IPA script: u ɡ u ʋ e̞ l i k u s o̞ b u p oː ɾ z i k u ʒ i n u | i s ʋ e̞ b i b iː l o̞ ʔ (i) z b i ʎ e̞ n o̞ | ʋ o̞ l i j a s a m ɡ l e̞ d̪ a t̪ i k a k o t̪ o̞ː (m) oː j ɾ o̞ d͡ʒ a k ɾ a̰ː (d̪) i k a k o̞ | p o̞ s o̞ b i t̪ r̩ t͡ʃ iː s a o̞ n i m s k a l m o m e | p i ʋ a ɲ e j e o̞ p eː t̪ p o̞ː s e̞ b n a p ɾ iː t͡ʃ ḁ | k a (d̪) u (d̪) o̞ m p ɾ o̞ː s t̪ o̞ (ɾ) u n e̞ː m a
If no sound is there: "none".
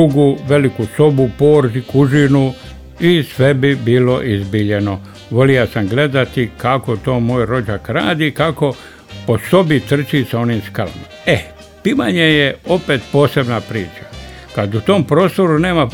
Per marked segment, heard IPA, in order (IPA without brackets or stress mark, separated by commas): i, m, d̪, d̪, t̪, ɾ